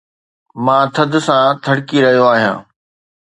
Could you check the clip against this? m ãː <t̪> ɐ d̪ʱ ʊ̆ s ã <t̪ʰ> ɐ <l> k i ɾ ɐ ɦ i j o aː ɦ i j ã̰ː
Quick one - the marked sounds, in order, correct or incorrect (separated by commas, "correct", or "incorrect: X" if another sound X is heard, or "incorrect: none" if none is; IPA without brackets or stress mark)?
incorrect: t̪ʰ, correct, incorrect: ɽ